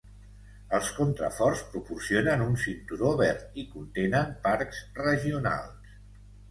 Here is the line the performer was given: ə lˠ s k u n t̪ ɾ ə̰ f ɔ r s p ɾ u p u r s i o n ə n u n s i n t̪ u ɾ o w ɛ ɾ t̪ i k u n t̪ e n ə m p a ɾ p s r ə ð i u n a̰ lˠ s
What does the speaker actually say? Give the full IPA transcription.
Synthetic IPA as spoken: ə lˠ s k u n t̪ ɾ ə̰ f ɔ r s p ɾ u p u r s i o n ə n u n s i n t̪ u ɾ o β ɛ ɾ t̪ i k u n t̪ e n ə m p a ɾ k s r ə ʒ i u n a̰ lˠ s